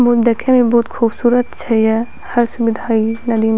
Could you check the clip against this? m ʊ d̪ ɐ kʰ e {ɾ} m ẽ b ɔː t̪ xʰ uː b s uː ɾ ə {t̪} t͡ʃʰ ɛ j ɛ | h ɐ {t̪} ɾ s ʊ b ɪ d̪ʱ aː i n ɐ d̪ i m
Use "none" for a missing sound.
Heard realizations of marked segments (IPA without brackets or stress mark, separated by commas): none, t̪, none